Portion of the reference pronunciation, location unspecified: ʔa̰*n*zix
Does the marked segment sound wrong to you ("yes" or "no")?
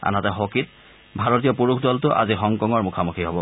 yes